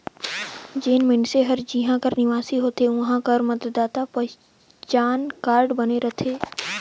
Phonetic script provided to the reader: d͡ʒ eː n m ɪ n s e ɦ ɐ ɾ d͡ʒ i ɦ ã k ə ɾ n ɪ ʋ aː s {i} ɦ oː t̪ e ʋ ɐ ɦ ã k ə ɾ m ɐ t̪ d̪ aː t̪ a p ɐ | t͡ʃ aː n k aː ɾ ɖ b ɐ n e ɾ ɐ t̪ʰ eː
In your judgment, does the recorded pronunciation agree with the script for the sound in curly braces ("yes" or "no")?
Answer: yes